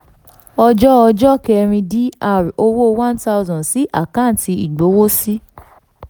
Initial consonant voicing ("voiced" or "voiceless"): voiced